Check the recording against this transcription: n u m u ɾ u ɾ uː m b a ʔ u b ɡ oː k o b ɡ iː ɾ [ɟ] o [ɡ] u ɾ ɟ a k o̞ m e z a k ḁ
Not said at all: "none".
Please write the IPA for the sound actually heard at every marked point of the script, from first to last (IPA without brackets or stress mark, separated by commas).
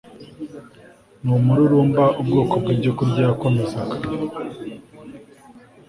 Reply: ɟ, k